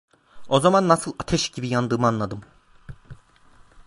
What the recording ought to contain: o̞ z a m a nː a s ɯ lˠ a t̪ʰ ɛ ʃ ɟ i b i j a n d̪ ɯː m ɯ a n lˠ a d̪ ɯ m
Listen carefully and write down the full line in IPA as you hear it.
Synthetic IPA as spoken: o̞ z a m a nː a s ɯ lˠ a t̪ʰ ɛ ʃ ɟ i b i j a n d̪ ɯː m ɯ a n lˠ a d̪ ɯ m